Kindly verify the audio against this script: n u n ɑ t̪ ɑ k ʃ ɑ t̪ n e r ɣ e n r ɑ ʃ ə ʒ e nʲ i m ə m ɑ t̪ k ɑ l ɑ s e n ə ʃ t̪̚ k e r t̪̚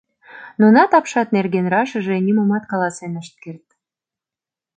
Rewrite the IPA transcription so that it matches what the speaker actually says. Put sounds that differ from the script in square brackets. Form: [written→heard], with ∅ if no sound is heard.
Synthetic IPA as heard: n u n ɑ t̪ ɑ [k→p] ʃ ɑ t̪ n e r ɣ e n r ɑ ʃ ə ʒ e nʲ i m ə m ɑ t̪ k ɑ l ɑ s e n ə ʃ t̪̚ k e r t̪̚

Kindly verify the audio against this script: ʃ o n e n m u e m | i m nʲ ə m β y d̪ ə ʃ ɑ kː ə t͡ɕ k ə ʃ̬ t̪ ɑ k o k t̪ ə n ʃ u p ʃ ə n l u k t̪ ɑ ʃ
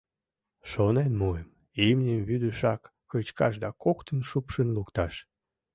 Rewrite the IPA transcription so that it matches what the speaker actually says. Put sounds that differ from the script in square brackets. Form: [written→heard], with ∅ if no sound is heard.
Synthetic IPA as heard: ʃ o n e n m u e m | i m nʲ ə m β y d̪ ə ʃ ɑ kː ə t͡ɕ k [ə→ɑ] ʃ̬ [t̪→d̪] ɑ k o k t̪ ə n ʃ u p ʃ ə n l u k t̪ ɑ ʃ

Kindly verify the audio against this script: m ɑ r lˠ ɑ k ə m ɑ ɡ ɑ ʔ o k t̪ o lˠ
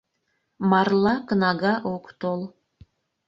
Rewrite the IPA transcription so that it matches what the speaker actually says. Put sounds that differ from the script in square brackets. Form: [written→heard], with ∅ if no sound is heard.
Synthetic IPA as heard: m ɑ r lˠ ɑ k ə [m→n] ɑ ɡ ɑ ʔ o k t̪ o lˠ

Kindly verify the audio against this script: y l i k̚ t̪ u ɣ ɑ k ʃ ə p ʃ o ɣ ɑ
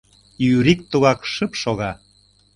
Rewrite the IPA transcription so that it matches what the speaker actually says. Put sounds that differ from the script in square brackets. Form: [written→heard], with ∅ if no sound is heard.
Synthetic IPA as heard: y [l→ɾ] i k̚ t̪ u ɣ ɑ k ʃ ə p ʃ o ɣ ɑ

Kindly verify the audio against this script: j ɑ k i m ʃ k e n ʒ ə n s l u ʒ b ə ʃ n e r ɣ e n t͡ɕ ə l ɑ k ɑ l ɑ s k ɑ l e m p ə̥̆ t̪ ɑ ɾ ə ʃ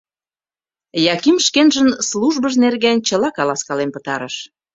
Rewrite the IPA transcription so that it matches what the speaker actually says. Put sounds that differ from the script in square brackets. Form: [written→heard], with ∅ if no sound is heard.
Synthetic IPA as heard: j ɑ k i m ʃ k e n ʒ ə n s l u ʒ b ə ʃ n e r ɣ e n t͡ɕ ə l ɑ k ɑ l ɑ s k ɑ l e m p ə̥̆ t̪ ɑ ɾ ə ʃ

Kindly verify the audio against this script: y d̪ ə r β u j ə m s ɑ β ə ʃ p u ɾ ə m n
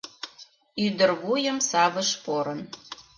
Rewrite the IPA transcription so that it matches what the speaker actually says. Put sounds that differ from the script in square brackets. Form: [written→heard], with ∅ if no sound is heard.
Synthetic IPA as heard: y d̪ ə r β u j ə m s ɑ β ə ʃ p [u→o] ɾ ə [m→∅] n

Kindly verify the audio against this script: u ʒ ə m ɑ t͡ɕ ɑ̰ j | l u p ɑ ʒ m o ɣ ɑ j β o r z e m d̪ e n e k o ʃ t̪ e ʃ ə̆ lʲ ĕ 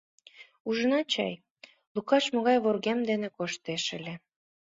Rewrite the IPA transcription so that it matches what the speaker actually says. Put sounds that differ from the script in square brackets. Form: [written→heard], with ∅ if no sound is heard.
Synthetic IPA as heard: u ʒ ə [m→n] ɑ t͡ɕ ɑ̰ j | l u [p→k] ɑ [ʒ→ʃ] m o ɣ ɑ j β o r [z→ɣ] e m d̪ e n e k o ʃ t̪ e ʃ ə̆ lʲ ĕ

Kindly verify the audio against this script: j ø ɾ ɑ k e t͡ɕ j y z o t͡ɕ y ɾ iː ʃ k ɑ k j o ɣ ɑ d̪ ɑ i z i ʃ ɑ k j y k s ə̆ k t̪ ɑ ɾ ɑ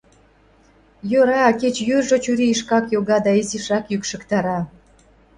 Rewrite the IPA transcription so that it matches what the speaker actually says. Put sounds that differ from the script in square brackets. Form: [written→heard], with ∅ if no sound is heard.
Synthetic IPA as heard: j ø ɾ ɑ k e t͡ɕ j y [z→ʒ] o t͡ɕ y ɾ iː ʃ k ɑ k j o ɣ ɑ d̪ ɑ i z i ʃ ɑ k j y k [s→ʃ] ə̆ k t̪ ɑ ɾ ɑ

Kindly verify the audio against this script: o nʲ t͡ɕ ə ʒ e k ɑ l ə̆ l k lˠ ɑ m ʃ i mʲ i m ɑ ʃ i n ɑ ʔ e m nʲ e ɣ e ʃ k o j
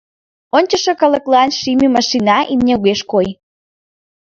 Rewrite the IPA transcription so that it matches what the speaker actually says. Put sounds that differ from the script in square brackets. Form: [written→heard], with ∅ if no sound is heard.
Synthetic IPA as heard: o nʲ t͡ɕ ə [ʒ→ʃ] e k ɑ l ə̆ [l→∅] k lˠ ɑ [m→n] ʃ i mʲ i m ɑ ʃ i n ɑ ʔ [e→i] m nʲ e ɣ e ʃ k o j

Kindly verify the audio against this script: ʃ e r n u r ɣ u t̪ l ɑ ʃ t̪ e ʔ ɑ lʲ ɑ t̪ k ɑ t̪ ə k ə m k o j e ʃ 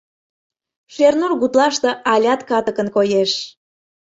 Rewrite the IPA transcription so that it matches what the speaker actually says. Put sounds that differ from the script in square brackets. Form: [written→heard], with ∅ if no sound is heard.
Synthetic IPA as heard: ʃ e r n u r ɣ u t̪ l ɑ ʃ t̪ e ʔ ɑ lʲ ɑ t̪ k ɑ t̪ ə k ə [m→n] k o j e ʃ

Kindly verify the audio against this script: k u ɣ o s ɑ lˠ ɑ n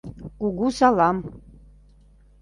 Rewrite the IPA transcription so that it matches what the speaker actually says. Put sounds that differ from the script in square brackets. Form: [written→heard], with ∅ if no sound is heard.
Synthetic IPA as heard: k u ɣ [o→u] s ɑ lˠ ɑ [n→m]

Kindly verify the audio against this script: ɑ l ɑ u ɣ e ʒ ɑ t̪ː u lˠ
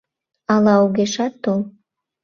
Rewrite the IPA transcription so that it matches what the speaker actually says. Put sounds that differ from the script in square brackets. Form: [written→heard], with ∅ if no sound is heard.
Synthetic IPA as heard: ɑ l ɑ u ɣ e [ʒ→ʃ] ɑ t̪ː [u→o] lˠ

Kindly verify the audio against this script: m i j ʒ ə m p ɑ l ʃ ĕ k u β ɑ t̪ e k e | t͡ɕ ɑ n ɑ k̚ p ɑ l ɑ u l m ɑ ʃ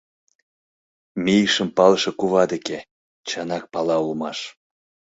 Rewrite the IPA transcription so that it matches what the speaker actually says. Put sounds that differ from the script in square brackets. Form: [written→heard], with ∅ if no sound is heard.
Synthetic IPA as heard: m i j [ʒ→ʃ] ə m p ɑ l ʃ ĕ k u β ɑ [t̪→d̪] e k e | t͡ɕ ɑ n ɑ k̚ p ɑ l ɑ u l m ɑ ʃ

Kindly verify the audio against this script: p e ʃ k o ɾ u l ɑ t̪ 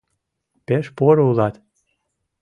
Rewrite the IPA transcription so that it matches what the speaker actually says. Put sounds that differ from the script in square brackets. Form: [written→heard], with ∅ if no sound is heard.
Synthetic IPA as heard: p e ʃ [k→p] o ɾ u l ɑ t̪

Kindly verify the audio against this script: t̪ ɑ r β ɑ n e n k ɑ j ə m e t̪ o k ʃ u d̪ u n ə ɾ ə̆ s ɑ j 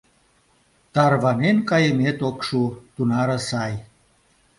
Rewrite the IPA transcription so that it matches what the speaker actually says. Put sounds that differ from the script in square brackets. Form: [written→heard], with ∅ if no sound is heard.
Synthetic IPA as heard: t̪ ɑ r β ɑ n e n k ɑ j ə m e t̪ o k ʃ u [d̪→t̪] u n [ə→ɑ] ɾ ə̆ s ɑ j

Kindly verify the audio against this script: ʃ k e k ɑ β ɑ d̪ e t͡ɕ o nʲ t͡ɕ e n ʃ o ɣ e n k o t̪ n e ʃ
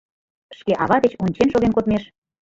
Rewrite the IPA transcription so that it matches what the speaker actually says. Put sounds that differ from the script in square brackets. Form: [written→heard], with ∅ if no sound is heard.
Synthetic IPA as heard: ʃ k e [k→ʔ] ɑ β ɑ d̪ e t͡ɕ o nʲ t͡ɕ e n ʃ o ɣ e n k o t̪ [n→m] e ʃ

